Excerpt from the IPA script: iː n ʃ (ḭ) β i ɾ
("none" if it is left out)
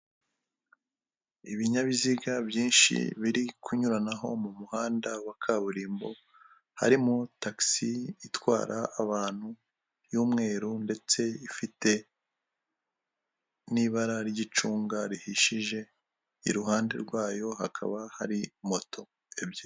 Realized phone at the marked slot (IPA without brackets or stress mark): ḭ